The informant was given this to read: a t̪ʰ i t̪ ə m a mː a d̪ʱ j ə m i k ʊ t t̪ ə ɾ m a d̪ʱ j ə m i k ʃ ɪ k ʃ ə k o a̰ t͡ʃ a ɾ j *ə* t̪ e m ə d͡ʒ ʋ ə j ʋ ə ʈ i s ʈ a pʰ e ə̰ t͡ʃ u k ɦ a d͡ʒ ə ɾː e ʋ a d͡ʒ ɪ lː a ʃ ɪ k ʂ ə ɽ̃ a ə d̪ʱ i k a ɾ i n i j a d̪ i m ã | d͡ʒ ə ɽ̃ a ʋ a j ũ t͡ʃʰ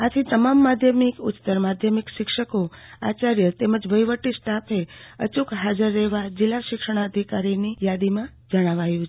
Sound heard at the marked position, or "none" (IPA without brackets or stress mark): ə